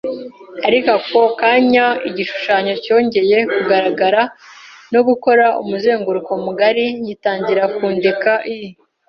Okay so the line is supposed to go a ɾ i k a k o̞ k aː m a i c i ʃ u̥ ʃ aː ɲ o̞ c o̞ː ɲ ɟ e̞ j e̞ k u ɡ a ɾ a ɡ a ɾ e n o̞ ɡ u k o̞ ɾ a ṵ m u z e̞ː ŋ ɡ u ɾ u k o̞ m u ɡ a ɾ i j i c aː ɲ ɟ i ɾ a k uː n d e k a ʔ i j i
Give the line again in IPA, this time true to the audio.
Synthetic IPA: a ɾ i k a k o̞ k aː ɲ a i ɟ i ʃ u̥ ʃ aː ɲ o̞ c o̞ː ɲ ɟ e̞ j e̞ k u ɡ a ɾ a ɡ a ɾ a n o̞ ɡ u k o̞ ɾ a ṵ m u z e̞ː ŋ ɡ u ɾ u k o̞ m u ɡ a ɾ i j i t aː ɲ ɟ i ɾ a k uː n d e k a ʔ i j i